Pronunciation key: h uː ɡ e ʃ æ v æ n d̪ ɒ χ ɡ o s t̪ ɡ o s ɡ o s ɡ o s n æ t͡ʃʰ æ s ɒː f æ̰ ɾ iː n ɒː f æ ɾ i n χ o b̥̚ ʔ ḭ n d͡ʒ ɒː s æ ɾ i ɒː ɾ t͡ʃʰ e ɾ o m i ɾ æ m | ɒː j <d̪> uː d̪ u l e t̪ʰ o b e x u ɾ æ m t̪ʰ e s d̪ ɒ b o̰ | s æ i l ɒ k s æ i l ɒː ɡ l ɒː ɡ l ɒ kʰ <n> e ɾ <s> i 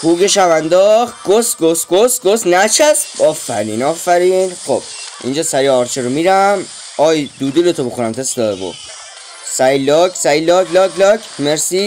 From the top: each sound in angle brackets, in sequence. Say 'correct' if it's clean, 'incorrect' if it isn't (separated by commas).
correct, incorrect, correct